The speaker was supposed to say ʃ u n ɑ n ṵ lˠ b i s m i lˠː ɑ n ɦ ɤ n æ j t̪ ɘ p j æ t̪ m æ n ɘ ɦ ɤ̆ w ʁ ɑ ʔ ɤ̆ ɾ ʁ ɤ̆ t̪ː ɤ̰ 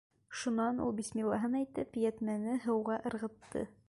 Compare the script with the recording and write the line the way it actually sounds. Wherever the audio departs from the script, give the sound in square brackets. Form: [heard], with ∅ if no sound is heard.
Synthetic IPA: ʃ u n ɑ n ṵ lˠ b i s m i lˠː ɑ [∅] ɦ ɤ n æ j t̪ ɘ p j æ t̪ m æ n ɘ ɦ ɤ̆ w ʁ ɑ ʔ ɤ̆ ɾ ʁ ɤ̆ t̪ː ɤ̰